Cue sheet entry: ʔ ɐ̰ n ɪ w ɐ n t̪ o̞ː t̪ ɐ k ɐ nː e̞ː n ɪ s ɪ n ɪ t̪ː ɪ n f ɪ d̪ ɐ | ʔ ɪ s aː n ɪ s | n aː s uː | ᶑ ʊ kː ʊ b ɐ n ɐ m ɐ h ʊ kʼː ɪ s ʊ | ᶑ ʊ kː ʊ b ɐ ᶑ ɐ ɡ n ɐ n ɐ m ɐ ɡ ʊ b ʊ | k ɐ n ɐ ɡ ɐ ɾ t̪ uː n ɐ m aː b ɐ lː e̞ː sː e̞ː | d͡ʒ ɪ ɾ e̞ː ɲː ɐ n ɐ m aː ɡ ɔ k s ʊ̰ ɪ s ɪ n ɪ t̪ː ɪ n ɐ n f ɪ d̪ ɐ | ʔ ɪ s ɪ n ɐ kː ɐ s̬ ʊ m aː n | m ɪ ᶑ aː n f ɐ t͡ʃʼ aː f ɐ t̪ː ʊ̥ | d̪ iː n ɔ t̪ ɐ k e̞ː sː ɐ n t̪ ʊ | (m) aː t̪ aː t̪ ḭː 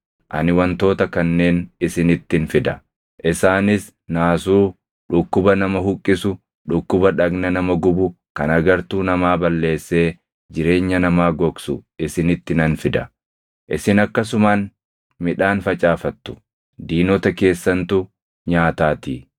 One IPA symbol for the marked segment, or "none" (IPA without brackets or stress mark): ɲ